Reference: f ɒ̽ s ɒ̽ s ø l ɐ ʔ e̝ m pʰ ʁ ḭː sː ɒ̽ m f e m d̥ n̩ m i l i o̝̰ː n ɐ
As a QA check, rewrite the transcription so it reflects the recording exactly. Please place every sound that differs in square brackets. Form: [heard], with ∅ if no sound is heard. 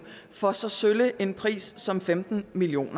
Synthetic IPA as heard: f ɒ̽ s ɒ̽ s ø l [ə] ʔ e̝ [n] pʰ ʁ ḭː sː ɒ̽ m f e m d̥ n̩ m i l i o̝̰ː n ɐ